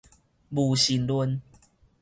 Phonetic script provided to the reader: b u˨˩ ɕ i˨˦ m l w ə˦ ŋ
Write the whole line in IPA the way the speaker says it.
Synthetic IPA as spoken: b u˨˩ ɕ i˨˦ n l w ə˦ n